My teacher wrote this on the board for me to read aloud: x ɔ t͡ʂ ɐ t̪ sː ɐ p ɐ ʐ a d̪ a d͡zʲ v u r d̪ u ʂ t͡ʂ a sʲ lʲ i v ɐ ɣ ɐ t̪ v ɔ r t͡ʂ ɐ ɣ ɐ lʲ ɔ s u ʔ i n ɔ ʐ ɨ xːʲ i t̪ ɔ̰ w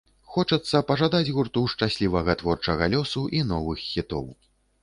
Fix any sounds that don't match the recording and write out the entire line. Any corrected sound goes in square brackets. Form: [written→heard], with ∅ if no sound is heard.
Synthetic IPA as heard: x ɔ t͡ʂ ɐ t̪ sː ɐ p ɐ ʐ a d̪ a d͡zʲ [v→ɣ] u r [d̪→t̪] u ʂ t͡ʂ a sʲ lʲ i v ɐ ɣ ɐ t̪ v ɔ r t͡ʂ ɐ ɣ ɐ lʲ ɔ s u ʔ i n ɔ [ʐ→v] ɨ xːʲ i t̪ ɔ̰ w